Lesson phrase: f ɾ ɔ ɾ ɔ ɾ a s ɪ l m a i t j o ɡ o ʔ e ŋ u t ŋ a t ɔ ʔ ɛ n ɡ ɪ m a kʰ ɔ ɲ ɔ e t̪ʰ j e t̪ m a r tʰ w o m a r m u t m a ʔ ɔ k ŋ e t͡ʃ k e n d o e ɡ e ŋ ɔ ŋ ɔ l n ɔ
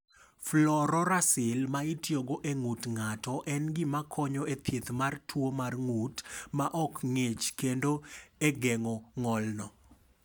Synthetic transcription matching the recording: f l ɔ ɾ ɔ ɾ a s ɪ l m a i t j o ɡ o ʔ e ŋ u t ŋ a t ɔ ʔ ɛ n ɡ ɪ m a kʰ ɔ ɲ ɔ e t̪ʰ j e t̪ m a r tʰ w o m a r ŋ u t m a ʔ ɔ k ŋ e t͡ʃ k e n d o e ɡ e ŋ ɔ ŋ ɔ l n ɔ